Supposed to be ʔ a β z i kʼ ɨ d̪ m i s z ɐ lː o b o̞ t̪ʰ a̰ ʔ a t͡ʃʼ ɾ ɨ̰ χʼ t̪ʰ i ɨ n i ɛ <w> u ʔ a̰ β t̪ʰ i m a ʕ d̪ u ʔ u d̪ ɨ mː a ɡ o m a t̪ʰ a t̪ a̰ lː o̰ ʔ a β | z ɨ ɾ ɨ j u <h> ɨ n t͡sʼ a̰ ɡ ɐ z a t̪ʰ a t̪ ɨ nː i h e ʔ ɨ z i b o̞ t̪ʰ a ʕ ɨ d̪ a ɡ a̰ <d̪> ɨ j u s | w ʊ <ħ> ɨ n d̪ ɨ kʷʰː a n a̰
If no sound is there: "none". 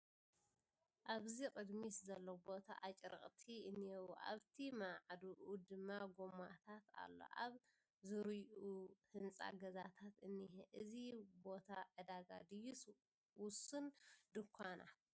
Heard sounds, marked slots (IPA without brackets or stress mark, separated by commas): w, h, d̪, s